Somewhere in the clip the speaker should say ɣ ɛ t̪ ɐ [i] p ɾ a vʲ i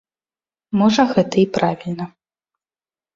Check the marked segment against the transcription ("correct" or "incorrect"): correct